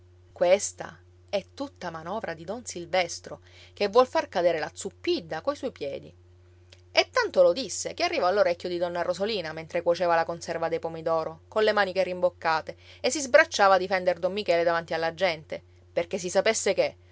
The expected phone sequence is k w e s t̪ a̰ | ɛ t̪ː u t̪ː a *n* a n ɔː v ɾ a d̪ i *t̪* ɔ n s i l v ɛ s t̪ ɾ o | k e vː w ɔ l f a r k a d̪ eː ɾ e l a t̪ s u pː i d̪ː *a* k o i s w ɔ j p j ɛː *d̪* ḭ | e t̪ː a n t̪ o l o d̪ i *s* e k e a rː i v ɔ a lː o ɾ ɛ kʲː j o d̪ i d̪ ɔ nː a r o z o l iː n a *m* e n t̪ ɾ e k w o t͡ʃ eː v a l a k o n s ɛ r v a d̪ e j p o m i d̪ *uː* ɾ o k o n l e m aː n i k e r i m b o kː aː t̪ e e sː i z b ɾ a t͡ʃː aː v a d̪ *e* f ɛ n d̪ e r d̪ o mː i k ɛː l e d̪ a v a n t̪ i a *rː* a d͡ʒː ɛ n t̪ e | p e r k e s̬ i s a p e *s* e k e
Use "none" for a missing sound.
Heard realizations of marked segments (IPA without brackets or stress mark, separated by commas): m, d̪, a, d̪, sː, m, ɔː, i, lː, sː